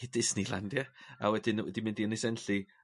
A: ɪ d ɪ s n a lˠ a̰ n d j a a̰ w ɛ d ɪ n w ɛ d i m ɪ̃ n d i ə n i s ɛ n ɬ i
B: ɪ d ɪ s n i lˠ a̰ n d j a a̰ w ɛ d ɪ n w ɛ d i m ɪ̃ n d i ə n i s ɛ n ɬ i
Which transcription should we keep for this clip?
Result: B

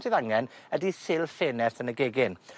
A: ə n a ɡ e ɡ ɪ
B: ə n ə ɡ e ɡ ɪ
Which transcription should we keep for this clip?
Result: B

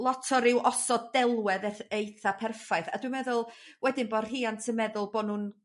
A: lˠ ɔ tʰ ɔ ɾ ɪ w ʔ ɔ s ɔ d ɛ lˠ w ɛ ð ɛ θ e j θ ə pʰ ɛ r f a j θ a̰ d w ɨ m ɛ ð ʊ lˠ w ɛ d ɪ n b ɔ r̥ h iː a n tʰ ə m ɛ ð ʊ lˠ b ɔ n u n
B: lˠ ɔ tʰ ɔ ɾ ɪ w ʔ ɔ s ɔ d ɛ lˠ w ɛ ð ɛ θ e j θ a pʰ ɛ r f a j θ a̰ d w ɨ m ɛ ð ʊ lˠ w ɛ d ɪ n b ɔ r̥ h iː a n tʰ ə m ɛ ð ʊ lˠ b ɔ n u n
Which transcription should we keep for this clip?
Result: B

